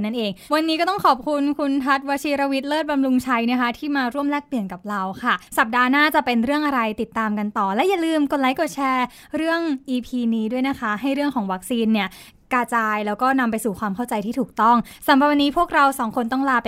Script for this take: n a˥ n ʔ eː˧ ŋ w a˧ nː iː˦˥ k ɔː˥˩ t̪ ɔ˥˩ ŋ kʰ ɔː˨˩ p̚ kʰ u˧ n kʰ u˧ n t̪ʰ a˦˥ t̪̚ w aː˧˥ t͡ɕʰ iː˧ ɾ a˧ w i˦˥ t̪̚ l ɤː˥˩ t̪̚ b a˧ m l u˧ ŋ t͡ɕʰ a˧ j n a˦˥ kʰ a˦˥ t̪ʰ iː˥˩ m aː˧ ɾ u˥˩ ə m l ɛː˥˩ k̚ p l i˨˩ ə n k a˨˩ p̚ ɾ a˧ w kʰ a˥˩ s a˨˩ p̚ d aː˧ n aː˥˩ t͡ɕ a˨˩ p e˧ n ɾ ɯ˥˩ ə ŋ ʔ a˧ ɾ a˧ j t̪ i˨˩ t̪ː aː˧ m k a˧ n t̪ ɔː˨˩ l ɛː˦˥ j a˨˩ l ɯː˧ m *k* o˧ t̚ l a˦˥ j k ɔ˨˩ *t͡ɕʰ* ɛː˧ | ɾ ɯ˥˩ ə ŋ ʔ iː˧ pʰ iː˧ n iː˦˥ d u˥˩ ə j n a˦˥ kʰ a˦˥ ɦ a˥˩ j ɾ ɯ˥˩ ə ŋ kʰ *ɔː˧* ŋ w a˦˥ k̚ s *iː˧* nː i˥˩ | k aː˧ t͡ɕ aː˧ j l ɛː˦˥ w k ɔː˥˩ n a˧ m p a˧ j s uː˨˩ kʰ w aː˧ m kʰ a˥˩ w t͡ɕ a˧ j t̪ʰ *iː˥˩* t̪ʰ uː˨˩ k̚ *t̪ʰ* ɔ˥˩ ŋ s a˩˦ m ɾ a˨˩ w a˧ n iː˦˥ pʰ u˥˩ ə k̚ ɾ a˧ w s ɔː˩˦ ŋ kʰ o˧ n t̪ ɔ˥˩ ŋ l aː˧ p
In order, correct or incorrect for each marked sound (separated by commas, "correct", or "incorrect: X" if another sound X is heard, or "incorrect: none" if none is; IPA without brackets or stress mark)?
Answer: correct, correct, incorrect: ɔː˩˦, correct, incorrect: iː˥, incorrect: t̪